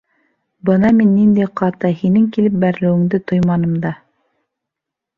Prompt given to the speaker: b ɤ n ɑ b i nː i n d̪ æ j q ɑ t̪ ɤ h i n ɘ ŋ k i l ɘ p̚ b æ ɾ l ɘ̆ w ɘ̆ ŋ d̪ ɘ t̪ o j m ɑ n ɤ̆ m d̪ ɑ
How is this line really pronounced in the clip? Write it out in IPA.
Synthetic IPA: b ɤ n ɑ m i nː i n d̪ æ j q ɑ t̪ ɤ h i n ɘ ŋ k i l ɘ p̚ b æ ɾ l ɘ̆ w ɘ̆ ŋ d̪ ɘ t̪ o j m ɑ n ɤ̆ m d̪ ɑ